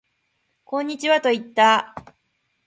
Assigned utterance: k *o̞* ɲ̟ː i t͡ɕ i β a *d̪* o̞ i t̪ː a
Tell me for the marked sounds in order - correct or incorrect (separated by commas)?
incorrect, incorrect